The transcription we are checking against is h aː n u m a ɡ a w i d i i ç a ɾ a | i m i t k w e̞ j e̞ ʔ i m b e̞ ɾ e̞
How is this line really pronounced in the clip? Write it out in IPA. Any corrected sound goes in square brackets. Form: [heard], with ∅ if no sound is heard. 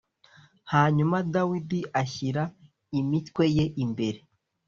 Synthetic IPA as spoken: h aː [ɲ] u m a [d] a w i d i [a] ç [i] ɾ a | i m i t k w e̞ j e̞ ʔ i m b e̞ ɾ e̞

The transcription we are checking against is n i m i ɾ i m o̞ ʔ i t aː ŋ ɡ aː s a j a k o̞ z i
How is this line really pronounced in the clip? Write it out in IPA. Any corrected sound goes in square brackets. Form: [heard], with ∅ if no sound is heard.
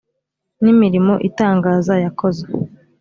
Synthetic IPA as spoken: n i m i ɾ i m o̞ ʔ i t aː ŋ ɡ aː [z] a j a k o̞ z [e]

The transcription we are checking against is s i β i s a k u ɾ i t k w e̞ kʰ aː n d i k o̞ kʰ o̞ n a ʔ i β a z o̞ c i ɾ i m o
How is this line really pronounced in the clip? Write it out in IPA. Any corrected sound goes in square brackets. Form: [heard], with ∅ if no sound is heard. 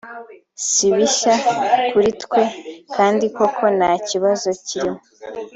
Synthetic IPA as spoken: s i β i [ʃ] a k u ɾ i t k w e̞ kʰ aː n d i k o̞ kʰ o̞ n a [c] i β a z o̞ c i ɾ i m o

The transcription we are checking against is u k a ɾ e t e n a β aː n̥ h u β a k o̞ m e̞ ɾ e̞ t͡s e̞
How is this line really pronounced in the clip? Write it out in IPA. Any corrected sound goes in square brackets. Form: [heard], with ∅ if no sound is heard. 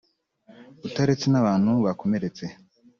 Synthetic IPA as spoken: u [t] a ɾ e [t͡s] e n a β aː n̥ h u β a k o̞ m e̞ ɾ e̞ t͡s e̞

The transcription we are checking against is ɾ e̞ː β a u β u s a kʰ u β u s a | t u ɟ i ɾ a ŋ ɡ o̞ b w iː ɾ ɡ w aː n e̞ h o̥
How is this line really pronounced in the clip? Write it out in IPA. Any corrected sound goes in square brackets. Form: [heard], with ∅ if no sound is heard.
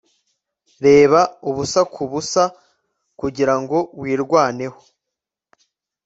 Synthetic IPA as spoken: ɾ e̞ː β a u β u s a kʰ u β u s a | [k] u ɟ i ɾ a ŋ ɡ o̞ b w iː ɾ ɡ w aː n e̞ h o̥

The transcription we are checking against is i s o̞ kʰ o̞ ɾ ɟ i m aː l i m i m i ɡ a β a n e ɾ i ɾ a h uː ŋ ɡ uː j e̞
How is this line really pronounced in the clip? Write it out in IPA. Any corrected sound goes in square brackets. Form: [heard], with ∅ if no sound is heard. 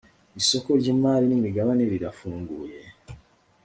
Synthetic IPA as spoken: i s o̞ [k] o̞ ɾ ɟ i m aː l i [n] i m i ɡ a β a n e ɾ i ɾ a [f] uː ŋ ɡ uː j e̞

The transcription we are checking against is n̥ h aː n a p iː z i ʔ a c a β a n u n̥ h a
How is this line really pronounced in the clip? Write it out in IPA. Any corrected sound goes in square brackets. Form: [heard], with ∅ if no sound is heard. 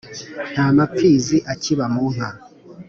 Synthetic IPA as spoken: n̥ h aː [m] a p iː z i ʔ a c [i] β a [m] u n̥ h a

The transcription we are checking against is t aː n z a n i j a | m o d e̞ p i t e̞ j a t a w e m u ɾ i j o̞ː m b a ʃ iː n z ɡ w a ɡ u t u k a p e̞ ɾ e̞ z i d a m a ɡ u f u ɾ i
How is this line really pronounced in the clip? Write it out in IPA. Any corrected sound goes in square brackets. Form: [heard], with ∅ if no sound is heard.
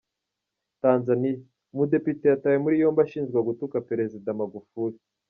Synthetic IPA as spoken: t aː n z a n i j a | m [u] d e̞ p i t e̞ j a t a w e m u ɾ i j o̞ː m b a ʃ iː n z ɡ w a ɡ u t u k a p e̞ ɾ e̞ z i d a m a ɡ u f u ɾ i

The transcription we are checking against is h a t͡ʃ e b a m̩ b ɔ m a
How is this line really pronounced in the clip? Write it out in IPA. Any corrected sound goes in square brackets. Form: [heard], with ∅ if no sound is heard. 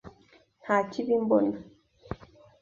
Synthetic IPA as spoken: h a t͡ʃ [i] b [i] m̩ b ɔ [n] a

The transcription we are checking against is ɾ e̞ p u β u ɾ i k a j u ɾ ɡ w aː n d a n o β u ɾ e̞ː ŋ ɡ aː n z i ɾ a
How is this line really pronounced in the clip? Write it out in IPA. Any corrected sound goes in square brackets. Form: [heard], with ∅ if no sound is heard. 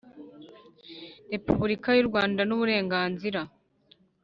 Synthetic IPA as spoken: ɾ e̞ p u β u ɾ i k a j u ɾ ɡ w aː n d a n [u] β u ɾ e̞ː ŋ ɡ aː n z i ɾ a

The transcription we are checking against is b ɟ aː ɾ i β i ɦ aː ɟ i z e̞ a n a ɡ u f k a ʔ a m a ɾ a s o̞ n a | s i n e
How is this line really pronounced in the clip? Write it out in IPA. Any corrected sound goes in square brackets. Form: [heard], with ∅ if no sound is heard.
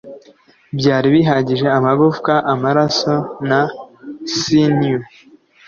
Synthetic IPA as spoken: b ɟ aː ɾ i β i ɦ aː ɟ i [ʒ] e̞ a [m] a ɡ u f k a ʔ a m a ɾ a s o̞ n a | s i n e

